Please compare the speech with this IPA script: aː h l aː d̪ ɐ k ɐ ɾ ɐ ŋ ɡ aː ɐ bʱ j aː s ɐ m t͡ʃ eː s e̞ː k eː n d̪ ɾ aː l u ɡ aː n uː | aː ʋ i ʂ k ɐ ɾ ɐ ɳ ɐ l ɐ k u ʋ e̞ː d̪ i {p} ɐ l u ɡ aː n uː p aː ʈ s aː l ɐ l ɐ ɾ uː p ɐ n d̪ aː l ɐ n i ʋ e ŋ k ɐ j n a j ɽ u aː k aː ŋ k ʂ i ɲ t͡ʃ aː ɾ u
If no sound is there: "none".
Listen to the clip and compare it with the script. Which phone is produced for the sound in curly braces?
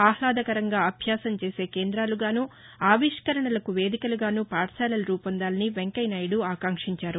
k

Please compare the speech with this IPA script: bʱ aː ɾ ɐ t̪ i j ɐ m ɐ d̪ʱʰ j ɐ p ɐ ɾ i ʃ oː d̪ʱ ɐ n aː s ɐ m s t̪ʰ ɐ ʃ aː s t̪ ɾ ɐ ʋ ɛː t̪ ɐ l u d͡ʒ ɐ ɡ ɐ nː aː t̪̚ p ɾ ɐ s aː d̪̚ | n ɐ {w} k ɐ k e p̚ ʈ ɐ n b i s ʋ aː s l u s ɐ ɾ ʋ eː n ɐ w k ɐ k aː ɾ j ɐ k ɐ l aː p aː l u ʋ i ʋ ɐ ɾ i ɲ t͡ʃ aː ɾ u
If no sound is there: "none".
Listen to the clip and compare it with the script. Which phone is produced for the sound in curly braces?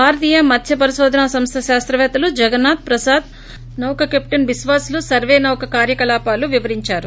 w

